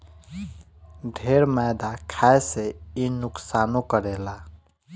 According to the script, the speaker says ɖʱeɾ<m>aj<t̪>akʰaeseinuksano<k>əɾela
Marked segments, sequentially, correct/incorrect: correct, incorrect: d̪, correct

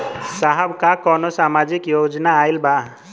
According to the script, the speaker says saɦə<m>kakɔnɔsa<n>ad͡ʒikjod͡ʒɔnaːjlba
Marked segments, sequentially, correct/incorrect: incorrect: b, incorrect: m

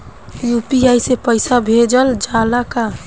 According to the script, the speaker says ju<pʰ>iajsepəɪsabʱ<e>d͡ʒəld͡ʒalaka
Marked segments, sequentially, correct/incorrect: incorrect: p, correct

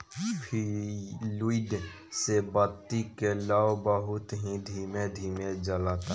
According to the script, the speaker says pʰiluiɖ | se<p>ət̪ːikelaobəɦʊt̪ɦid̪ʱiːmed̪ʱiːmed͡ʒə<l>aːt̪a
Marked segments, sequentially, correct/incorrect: incorrect: b, correct

